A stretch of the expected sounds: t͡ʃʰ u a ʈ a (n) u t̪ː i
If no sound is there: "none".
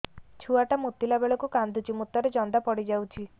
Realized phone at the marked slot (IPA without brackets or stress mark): m